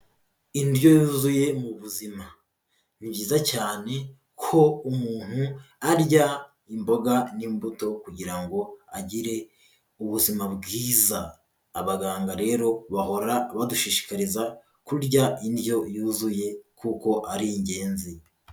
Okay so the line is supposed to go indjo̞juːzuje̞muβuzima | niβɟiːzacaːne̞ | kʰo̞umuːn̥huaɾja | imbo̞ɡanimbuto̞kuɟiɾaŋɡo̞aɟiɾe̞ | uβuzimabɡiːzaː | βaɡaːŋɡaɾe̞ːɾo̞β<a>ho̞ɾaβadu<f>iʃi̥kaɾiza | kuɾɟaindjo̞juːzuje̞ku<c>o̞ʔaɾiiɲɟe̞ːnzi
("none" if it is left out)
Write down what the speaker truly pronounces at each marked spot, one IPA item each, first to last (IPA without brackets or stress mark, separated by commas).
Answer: a, ʃ, k